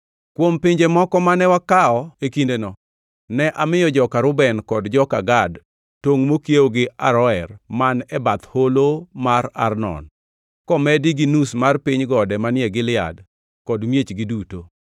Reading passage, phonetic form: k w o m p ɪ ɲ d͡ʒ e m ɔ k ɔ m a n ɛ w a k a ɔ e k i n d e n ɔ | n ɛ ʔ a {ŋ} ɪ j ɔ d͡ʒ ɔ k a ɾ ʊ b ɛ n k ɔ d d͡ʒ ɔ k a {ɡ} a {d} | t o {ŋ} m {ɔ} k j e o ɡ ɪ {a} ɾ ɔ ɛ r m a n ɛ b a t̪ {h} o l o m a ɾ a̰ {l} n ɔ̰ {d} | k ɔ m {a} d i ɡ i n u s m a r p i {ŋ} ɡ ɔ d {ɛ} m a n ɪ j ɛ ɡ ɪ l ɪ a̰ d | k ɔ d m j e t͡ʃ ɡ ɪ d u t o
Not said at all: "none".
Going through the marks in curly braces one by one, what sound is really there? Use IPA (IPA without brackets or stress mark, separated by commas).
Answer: m, ɡ, d, ŋ, o, a, h, r, n, ɛ, ɲ, ɛ